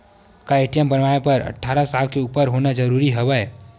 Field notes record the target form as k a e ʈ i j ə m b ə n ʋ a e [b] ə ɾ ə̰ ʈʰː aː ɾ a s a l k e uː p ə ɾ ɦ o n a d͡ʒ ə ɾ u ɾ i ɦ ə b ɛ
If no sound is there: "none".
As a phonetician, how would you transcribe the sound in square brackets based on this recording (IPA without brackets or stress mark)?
p